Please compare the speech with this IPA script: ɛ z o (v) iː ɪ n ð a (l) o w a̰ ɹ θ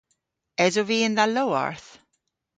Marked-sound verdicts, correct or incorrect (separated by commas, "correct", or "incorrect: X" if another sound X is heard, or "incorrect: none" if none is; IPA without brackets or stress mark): correct, correct